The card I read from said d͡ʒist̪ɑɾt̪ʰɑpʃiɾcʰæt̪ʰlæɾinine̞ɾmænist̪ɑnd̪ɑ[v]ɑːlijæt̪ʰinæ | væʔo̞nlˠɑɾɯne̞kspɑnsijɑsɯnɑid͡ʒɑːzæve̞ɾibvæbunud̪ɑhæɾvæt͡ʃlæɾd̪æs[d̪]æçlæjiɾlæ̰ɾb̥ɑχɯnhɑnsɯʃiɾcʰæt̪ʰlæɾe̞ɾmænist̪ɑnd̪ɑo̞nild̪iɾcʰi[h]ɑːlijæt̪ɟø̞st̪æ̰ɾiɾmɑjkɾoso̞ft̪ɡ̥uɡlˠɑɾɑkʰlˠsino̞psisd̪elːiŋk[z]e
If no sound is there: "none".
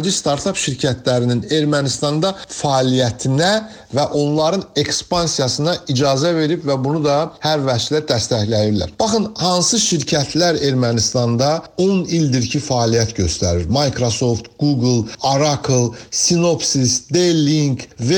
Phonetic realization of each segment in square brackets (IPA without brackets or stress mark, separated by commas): f, t̪, f, v